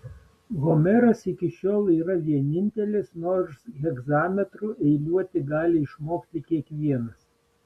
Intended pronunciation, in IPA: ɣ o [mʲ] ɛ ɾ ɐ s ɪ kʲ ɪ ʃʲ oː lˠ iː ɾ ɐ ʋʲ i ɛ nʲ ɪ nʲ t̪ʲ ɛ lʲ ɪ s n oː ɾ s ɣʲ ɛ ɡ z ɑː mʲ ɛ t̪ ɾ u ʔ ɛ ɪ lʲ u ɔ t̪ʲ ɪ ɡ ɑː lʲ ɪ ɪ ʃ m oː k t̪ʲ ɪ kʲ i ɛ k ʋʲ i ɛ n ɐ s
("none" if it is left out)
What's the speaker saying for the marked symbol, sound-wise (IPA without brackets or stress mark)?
mʲ